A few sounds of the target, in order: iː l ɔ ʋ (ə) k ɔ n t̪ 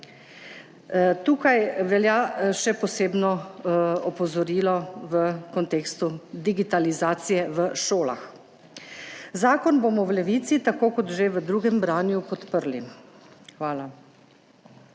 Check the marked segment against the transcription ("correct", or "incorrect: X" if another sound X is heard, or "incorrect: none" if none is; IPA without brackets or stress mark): correct